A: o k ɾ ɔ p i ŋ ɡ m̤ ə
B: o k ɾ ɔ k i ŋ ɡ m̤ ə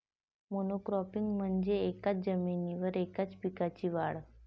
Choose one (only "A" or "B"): A